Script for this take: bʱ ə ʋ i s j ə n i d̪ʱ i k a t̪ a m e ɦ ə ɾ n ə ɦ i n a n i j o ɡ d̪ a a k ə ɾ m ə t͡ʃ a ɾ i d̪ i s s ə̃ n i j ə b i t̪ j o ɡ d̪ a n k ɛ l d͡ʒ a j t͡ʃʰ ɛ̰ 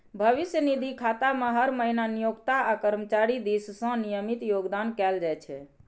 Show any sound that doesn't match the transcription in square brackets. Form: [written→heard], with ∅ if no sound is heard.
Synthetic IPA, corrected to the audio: bʱ ə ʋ i s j ə n i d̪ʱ i [k→kʰ] a t̪ a m e ɦ ə ɾ [n→m] ə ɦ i n a n i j o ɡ [d̪→t̪] a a k ə ɾ m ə t͡ʃ a ɾ i d̪ i s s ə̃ n i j ə [b→m] i t̪ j o ɡ d̪ a n k ɛ l d͡ʒ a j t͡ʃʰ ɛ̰